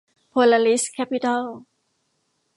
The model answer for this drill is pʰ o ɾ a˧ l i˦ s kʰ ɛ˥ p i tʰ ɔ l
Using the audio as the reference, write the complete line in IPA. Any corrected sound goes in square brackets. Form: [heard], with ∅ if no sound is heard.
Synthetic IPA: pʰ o [l] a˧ l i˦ s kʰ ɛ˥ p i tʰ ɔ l